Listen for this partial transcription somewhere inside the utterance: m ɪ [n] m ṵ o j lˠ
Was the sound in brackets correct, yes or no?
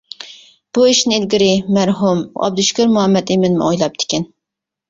yes